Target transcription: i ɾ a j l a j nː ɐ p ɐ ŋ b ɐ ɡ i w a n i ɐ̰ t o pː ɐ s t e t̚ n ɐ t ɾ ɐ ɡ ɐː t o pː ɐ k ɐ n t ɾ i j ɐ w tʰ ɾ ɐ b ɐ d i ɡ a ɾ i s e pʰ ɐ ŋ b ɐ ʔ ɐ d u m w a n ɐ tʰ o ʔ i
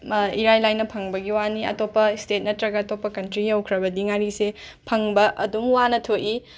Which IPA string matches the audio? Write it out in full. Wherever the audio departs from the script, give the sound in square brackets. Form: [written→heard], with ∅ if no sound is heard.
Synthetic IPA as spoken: i ɾ a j l a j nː ɐ [p→pʰ] ɐ ŋ b ɐ ɡ i w a n i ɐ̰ t o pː ɐ s t e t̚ n ɐ t ɾ ɐ ɡ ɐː t o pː ɐ k ɐ n t ɾ i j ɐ w [tʰ→kʰ] ɾ ɐ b ɐ d i [ɡ→ŋ] a ɾ i s e pʰ ɐ ŋ b ɐ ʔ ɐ d u m w a n ɐ tʰ o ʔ i